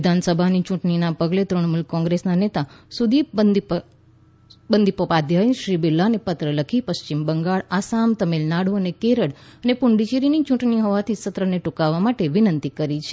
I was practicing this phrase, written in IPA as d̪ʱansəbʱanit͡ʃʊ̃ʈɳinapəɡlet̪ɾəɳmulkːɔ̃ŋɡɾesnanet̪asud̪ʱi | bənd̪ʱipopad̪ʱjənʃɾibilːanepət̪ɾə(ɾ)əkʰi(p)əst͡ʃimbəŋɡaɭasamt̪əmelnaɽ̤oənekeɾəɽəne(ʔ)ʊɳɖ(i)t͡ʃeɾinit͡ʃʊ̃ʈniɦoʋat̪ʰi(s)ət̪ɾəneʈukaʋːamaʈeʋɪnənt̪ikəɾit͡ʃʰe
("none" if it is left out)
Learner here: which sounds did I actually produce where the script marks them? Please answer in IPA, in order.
l, p, p, i, s

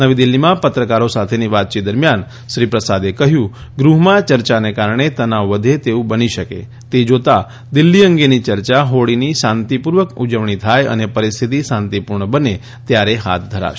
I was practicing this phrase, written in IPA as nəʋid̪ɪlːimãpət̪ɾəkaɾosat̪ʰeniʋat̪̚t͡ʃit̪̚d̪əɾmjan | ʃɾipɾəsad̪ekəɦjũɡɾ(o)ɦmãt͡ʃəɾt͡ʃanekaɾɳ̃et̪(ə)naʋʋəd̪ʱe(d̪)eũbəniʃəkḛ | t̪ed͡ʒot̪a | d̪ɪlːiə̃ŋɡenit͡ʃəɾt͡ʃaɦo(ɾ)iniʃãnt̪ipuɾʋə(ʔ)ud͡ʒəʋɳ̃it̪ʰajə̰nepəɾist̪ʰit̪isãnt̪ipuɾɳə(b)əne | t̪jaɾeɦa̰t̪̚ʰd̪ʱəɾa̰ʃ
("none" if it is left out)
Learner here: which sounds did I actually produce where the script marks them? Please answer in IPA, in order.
u, ə, t̪, ɽ, k, b

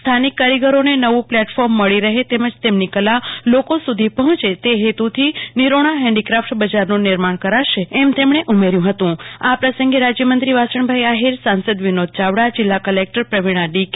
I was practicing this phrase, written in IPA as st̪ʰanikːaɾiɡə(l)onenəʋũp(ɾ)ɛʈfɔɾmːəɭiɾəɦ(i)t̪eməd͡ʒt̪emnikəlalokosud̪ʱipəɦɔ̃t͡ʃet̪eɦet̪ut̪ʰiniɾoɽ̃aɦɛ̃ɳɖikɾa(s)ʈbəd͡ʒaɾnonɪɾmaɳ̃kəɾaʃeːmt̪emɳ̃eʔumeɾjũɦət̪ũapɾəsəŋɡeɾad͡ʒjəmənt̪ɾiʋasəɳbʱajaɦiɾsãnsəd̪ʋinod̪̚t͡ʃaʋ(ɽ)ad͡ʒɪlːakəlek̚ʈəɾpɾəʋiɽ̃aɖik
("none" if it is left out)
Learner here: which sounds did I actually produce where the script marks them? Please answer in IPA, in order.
ɾ, l, e, f, ɽ

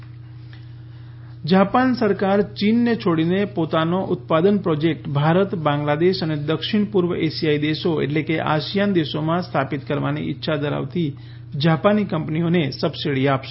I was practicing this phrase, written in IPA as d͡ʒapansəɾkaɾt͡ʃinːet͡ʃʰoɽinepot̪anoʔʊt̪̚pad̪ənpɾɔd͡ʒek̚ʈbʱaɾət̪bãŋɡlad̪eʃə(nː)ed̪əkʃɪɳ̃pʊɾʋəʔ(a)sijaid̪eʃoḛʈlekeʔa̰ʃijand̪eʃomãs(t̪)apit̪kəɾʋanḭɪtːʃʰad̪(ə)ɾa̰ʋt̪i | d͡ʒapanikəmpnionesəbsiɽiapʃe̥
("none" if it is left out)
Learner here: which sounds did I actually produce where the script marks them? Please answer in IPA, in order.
n, e, t̪ʰ, ə

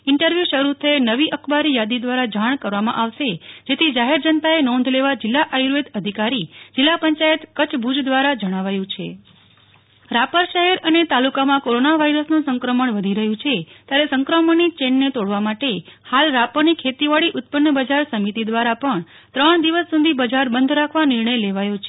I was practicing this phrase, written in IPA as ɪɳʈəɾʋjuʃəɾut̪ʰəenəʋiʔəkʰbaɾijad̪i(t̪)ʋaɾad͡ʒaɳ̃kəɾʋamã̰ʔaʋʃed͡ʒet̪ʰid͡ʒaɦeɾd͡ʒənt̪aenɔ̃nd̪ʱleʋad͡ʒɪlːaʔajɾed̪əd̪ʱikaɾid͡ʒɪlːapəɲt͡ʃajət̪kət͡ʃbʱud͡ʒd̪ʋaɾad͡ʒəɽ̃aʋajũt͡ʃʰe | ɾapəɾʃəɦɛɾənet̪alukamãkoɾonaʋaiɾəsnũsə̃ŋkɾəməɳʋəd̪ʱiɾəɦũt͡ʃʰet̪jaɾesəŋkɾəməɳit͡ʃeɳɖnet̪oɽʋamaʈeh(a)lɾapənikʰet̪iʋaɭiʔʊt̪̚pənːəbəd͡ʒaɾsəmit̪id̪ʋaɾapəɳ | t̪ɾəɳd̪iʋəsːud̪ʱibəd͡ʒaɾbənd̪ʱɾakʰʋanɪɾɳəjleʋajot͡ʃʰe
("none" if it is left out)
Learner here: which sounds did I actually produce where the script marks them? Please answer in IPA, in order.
d̪, a

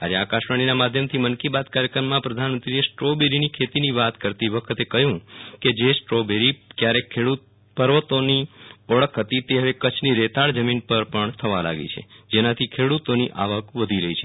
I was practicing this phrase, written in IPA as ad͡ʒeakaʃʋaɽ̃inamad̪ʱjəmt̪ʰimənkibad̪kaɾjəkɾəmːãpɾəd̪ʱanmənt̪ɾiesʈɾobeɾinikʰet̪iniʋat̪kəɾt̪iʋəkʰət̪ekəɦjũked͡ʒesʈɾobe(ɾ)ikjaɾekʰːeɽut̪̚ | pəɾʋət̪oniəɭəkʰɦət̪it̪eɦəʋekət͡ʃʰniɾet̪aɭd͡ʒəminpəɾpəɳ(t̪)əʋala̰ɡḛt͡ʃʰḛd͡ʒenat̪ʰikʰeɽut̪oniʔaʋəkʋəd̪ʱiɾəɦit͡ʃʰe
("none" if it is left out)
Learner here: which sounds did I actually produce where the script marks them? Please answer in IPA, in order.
ɾ, t̪ʰ

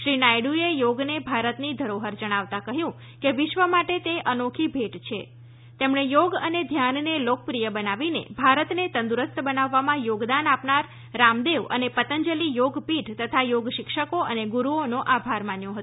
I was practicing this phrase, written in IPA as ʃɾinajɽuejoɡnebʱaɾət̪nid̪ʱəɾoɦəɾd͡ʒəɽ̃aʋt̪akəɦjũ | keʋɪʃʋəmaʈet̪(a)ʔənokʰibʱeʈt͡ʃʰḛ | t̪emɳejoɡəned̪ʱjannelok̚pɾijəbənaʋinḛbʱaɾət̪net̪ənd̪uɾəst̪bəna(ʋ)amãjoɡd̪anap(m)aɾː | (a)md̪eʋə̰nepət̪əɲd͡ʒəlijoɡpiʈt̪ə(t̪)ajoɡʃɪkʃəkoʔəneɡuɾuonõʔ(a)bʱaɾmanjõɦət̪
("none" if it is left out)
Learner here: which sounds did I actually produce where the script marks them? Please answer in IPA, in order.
e, ʋː, n, a, t̪ʰ, a

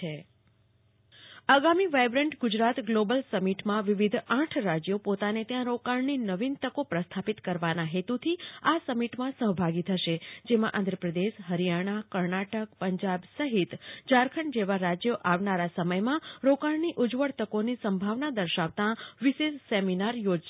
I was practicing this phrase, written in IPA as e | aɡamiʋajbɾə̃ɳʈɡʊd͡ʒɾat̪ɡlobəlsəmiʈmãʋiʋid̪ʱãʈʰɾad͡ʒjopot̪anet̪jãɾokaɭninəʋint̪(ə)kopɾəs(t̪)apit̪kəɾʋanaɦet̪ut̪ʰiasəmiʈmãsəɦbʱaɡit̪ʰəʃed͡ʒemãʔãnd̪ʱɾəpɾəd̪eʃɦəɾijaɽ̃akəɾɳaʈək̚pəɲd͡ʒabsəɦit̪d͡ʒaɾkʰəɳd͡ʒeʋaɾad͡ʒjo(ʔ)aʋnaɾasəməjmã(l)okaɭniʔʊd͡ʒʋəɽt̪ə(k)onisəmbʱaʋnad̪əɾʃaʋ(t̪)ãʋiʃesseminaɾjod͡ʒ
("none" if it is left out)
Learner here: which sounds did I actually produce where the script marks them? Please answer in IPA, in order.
ə, t̪ʰ, ʔ, ɾ, k, t̪

